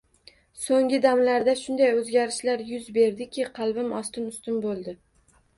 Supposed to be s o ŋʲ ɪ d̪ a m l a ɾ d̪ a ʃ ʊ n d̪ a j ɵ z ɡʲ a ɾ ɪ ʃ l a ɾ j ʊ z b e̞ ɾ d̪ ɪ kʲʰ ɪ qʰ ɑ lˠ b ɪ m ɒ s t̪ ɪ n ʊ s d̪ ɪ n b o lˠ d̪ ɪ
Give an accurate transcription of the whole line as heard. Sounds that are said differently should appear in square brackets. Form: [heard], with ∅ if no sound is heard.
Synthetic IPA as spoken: s o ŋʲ ɪ d̪ a m l a ɾ d̪ a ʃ ʊ n d̪ a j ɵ z ɡʲ a ɾ ɪ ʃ l a ɾ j ʊ z b e̞ ɾ d̪ ɪ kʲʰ ɪ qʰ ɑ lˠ b ɪ m ɒ s t̪ ɪ n ʊ s [t̪] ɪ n b o lˠ d̪ ɪ